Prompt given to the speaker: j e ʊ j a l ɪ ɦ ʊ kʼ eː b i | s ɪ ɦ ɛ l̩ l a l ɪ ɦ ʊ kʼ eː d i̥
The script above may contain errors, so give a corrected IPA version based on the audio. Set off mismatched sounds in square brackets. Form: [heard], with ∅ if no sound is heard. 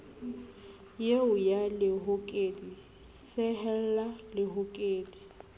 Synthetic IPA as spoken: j e ʊ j a l ɪ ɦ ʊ kʼ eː [d] i | s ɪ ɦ ɛ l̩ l a l ɪ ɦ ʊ kʼ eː d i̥